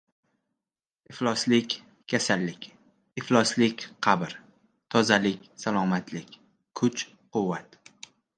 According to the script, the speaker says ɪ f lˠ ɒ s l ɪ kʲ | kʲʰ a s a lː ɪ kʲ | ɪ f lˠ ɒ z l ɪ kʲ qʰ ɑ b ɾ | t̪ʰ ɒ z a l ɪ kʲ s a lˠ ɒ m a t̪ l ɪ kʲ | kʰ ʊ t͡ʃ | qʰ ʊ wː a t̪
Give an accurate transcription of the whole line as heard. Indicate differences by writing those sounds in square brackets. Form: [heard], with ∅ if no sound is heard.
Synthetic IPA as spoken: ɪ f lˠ ɒ s l ɪ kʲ | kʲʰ a s a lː ɪ kʲ | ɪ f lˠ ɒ [s] l ɪ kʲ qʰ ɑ b ɾ | t̪ʰ ɒ z a l ɪ kʲ s a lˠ ɒ m a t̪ l ɪ kʲ | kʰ ʊ t͡ʃ | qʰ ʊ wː a t̪